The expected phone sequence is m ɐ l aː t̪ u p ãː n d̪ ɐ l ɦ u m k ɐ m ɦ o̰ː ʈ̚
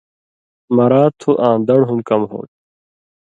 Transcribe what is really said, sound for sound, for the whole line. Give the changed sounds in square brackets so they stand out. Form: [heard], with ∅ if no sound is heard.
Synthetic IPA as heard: m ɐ [ɾ] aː [t̪ʰ] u [ʔ] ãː n d̪ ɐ [ɽ] ɦ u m k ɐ m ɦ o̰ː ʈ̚